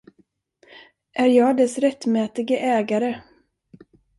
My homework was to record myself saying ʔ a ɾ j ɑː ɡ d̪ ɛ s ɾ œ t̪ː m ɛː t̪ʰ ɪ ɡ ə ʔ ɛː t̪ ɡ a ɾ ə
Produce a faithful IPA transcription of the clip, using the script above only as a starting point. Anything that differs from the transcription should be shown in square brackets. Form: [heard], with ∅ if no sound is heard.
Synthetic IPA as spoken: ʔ [æ] ɾ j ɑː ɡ d̪ ɛ s ɾ [ɛ] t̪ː m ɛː [t̪] ɪ ɡ ə ʔ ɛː [∅] ɡ a ɾ ə